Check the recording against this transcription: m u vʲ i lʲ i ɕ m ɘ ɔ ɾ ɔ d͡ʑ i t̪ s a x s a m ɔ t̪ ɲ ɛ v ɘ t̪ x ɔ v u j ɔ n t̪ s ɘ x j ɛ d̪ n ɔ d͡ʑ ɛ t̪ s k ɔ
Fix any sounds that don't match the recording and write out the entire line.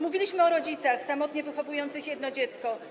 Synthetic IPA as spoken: m u vʲ i lʲ i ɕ m ɘ ɔ ɾ ɔ d͡ʑ i t̪ s a x s a m ɔ t̪ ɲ ɛ v ɘ x ɔ v u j ɔ n t̪ s ɘ x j ɛ d̪ n ɔ d͡ʑ ɛ t̪ s k ɔ